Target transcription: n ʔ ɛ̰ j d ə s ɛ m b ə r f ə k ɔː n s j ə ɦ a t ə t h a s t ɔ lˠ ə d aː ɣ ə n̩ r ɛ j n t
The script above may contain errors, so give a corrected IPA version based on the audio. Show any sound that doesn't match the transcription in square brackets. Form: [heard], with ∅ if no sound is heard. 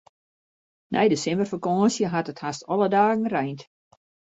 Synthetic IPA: n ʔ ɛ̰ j d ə s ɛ m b ə r f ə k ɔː n s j ə ɦ a t ə t h a s t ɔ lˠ ə d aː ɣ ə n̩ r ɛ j n t